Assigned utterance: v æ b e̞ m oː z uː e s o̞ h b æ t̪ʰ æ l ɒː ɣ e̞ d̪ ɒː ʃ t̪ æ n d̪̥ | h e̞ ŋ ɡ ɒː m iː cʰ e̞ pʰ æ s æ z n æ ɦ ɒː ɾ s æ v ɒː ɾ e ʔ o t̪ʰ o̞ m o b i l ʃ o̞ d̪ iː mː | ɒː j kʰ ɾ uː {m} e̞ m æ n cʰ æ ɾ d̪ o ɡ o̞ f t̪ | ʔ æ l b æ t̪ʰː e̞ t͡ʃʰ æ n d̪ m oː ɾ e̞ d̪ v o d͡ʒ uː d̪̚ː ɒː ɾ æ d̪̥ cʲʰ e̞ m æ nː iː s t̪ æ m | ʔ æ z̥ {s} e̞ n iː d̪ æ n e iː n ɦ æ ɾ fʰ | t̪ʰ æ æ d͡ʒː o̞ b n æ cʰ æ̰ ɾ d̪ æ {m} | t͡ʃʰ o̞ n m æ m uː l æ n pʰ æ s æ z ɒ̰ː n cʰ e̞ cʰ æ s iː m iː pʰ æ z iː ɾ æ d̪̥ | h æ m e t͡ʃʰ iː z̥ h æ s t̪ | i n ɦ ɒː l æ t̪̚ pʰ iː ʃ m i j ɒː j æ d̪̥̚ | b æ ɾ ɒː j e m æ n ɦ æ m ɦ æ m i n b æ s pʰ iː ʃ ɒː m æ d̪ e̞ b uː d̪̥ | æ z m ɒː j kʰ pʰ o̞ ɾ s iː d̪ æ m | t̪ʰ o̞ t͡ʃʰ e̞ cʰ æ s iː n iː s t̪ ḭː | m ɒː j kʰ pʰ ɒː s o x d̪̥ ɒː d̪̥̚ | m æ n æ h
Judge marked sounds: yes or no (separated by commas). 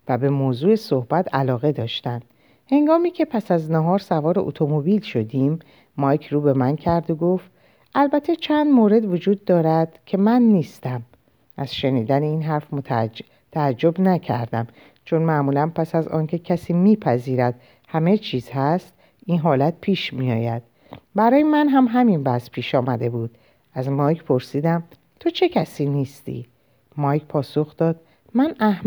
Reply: no, no, yes